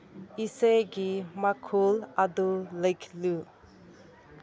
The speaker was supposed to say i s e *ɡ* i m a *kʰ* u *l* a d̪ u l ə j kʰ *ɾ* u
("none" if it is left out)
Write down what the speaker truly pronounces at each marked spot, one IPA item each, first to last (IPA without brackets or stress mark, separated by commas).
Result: ɡ, kʰ, l, l